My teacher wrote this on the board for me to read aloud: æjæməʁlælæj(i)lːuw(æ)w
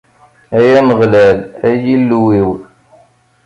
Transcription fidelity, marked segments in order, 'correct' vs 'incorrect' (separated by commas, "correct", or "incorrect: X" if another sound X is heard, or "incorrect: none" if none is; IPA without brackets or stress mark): correct, incorrect: i